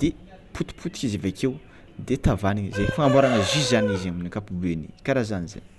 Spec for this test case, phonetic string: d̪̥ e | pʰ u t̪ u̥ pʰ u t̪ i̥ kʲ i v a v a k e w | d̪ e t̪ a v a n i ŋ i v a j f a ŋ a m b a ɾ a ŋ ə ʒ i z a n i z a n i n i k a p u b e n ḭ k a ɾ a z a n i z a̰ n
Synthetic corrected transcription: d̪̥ e | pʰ u t̪ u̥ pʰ u t̪ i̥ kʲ i z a v a k e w | d̪ e t̪ a v a n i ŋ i z a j f a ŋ a m b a ɾ a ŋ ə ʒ i z a n i z a m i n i k a p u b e n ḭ k a ɾ a z a n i z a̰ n